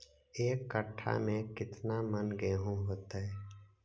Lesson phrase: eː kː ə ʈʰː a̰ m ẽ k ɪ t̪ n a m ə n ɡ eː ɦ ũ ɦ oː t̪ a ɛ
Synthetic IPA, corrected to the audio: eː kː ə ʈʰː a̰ m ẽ k ɪ t̪ n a m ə n ɡ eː ɦ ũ ɦ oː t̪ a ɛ

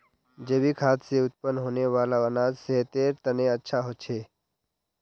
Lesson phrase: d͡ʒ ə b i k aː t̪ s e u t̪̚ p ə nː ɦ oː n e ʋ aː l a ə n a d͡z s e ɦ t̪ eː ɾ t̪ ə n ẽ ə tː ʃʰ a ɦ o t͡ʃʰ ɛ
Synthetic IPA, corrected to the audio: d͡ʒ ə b i kʰ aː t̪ s e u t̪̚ p ə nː ɦ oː n e ʋ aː l a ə n a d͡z s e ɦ t̪ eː ɾ t̪ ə n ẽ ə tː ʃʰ a ɦ o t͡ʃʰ e

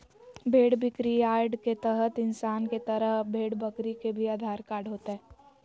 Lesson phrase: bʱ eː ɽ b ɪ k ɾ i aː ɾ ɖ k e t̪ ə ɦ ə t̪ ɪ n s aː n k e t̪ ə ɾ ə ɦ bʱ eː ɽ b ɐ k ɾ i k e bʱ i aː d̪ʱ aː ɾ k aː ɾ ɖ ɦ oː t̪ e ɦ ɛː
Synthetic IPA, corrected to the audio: bʱ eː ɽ b ɪ k ɾ i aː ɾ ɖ k e t̪ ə ɦ ə t̪ ɪ n s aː n k e t̪ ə ɾ ə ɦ bʱ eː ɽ b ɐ k ɾ i k e bʱ i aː d̪ʱ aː ɾ k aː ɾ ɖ ɦ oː t̪ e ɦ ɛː

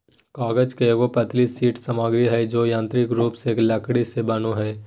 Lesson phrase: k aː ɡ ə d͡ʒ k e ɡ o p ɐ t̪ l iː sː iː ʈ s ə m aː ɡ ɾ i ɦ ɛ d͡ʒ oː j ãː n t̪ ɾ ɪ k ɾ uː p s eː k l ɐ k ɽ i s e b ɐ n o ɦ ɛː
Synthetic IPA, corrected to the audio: k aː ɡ ə d͡ʒ k e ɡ o p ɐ t̪ l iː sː iː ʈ s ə m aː ɡ ɾ i ɦ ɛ d͡ʒ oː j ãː n t̪ ɾ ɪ k ɾ uː p s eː k l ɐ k ɽ i s e b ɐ n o ɦ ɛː

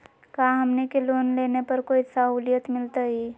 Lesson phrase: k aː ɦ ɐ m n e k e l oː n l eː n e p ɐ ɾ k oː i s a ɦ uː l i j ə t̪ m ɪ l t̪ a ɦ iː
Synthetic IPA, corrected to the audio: k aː ɦ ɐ m n e k e l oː n l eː n e p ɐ ɾ k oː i s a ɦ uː l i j ə t̪ m ɪ l t̪ a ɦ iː

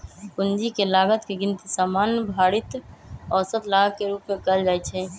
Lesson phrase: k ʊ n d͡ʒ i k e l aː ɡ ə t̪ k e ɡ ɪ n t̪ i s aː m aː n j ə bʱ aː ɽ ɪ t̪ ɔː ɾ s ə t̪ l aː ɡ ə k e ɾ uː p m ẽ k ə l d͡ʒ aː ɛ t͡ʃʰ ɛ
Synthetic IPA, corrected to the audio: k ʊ n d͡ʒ i k e l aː ɡ ə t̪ k e ɡ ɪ n t̪ i s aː m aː n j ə bʱ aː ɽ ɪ t̪ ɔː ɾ s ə t̪ l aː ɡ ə k e ɾ uː p m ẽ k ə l d͡ʒ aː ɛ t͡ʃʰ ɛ

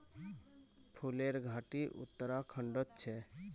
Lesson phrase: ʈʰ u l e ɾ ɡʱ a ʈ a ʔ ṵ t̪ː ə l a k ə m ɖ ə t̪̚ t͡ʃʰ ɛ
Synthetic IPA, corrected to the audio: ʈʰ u l e ɾ ɡʱ a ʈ i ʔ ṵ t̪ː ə ɾ a kʰ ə ɳ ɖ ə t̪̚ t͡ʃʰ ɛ

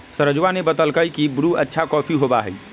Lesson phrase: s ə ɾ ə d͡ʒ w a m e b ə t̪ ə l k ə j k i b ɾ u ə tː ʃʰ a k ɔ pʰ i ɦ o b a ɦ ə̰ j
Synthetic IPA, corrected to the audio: s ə ɾ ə d͡ʒ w a n e b ə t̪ ə l k ə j k i b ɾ u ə tː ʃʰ a k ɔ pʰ i ɦ o b a ɦ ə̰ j

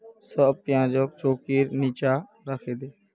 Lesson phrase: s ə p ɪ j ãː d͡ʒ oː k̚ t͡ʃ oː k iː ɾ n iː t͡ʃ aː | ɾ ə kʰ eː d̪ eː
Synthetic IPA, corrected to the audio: s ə p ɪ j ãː d͡ʒ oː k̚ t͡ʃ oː k iː ɾ n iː t͡ʃ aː | ɾ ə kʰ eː d̪ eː

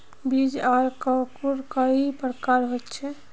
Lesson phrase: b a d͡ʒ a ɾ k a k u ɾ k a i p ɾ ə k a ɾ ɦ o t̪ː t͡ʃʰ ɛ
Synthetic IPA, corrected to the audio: b i d͡ʒ a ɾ k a k u ɾ k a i p ɾ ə k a ɾ ɦ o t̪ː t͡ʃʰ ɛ

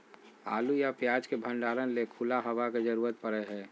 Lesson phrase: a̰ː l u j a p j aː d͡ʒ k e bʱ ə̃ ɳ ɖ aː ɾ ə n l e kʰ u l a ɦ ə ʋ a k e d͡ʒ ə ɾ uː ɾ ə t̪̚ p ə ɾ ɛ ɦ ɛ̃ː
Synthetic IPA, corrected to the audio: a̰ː l u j a p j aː d͡ʒ k e bʱ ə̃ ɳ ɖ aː ɾ ə n l e kʰ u l a ɦ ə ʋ a k e d͡ʒ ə ɾ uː ɾ ə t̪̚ p ə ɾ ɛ ɦ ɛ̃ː

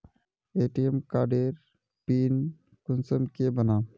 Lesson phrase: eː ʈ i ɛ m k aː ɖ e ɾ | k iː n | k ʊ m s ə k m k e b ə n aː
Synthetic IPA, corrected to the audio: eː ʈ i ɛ m k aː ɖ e ɾ | p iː n | k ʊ n s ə m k e b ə n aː

